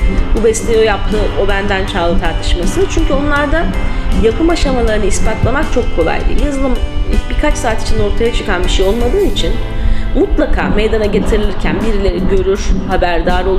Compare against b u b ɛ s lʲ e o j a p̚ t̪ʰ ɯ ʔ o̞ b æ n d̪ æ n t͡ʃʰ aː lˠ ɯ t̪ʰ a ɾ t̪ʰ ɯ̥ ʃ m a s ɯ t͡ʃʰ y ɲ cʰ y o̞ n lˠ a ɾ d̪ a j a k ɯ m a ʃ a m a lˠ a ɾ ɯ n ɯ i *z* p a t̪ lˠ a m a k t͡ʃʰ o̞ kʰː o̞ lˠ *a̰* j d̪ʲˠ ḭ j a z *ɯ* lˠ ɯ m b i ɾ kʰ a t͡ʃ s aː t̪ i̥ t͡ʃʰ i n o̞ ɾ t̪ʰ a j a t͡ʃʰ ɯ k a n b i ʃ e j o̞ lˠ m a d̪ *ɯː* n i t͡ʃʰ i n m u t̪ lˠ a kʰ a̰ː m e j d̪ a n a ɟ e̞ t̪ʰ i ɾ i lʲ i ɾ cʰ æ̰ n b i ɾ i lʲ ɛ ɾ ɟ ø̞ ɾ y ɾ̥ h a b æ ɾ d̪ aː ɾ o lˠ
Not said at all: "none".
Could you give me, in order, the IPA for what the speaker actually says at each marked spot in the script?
s, a̰, ɯ, ɯː

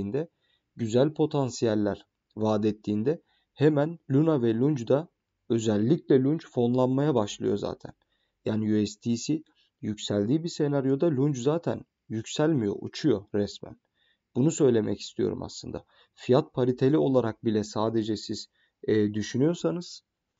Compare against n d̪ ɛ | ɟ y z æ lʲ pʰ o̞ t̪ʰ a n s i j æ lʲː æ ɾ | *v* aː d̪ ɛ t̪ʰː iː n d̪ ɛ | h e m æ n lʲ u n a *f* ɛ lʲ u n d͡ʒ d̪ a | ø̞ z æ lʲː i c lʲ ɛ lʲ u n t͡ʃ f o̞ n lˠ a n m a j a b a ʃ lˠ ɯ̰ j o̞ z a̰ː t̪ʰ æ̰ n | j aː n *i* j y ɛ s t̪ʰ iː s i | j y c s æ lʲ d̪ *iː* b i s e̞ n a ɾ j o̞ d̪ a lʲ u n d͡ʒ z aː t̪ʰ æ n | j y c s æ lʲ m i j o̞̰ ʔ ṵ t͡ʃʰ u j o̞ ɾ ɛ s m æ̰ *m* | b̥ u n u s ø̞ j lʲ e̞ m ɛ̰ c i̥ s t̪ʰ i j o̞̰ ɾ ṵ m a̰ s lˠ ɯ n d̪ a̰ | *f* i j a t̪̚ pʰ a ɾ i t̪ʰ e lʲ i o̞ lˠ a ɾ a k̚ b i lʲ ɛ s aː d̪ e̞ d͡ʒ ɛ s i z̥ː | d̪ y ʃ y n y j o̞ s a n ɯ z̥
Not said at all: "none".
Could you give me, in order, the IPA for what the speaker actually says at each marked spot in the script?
v, v, i, iː, n, f

